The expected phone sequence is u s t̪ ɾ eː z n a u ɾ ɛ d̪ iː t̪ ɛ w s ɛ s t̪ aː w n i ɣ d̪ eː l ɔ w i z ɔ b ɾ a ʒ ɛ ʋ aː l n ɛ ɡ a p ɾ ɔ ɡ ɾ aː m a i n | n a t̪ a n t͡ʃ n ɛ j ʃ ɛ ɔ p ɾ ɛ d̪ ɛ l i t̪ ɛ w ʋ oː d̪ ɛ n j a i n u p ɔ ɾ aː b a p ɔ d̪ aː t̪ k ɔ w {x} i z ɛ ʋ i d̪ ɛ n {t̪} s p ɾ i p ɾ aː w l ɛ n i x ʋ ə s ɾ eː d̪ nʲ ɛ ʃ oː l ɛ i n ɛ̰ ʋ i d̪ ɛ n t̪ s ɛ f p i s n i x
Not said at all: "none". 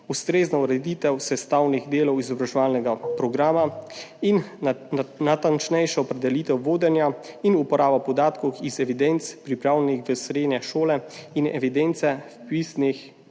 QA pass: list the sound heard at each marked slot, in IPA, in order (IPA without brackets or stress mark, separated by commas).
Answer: x, t̪